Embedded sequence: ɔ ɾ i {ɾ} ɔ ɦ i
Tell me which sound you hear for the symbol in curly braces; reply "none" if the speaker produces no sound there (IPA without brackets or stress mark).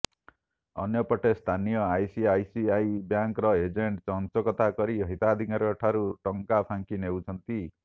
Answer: none